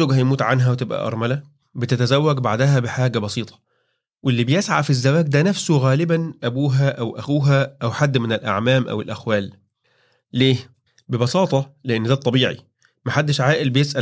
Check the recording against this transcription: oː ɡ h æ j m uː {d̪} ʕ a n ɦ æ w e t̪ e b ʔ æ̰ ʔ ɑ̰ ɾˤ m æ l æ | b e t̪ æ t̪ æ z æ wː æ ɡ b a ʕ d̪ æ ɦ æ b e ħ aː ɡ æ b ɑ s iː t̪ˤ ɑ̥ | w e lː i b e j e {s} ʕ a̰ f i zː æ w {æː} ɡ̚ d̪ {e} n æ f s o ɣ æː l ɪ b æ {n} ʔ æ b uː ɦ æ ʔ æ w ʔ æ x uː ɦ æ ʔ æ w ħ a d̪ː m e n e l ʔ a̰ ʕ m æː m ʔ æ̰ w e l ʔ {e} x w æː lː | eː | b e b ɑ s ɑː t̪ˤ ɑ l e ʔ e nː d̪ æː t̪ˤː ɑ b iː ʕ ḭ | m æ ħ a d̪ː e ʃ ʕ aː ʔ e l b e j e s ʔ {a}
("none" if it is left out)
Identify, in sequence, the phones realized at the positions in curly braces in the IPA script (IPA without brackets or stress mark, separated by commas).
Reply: t̪, s, æː, æ, n, æ, æ